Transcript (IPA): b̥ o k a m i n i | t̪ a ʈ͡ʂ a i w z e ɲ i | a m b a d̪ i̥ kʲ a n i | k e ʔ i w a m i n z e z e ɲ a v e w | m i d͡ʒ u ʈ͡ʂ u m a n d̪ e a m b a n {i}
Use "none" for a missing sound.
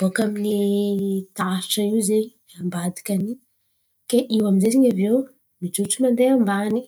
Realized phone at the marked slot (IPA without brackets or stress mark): i